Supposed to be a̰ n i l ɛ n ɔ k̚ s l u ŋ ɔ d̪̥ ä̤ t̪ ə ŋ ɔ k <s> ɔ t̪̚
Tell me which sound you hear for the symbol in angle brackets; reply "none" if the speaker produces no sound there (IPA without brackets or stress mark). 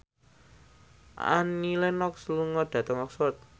s